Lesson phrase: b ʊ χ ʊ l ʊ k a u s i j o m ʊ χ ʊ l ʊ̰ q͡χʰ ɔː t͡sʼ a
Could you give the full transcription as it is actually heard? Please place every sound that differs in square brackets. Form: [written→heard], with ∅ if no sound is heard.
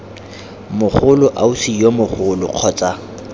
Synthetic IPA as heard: [b→m] ʊ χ ʊ l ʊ [k→ʔ] a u s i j o m ʊ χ ʊ l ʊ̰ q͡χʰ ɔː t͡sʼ a